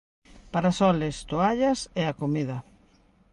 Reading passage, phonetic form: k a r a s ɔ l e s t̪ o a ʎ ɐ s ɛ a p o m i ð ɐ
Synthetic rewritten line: p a ɾ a s ɔ l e s t̪ o a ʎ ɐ s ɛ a k o m i ð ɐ